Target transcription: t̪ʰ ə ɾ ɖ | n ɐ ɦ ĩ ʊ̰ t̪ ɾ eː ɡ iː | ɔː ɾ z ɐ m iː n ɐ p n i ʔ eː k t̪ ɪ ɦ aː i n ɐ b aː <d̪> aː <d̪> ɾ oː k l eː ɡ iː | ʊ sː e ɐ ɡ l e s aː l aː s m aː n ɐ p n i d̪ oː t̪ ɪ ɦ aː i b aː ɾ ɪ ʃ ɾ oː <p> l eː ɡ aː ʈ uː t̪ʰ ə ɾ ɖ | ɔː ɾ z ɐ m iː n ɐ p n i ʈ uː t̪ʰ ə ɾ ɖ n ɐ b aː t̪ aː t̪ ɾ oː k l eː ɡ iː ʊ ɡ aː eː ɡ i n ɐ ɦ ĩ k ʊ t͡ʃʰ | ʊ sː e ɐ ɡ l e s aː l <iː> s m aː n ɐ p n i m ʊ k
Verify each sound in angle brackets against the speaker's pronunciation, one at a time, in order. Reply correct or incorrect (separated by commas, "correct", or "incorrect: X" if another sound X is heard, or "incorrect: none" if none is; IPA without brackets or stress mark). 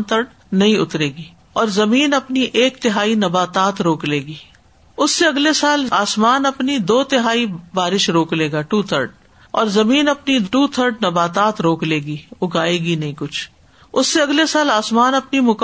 incorrect: t̪, incorrect: t̪, incorrect: k, incorrect: aː